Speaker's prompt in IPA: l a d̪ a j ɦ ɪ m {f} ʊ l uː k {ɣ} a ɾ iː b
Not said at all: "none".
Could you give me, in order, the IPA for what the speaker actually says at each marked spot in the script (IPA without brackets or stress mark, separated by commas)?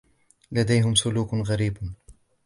s, ɣ